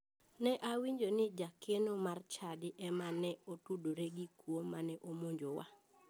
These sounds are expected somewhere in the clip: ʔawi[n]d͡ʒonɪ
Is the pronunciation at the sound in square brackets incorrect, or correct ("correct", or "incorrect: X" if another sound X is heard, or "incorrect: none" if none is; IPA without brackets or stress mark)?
incorrect: ɲ